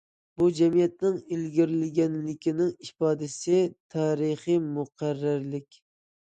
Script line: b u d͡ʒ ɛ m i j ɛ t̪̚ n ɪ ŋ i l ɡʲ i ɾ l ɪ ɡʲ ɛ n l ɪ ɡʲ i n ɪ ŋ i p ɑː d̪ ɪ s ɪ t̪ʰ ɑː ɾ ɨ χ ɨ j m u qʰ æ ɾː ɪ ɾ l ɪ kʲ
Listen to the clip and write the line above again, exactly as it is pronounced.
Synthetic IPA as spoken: b u d͡ʒ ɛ m i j ɛ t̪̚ n ɪ ŋ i l ɡʲ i ɾ l ɪ ɡʲ ɛ n l ɪ kʲ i n ɪ ŋ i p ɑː d̪ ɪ s ɪ t̪ʰ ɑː ɾ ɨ χ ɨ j m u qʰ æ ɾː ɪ ɾ l ɪ kʲ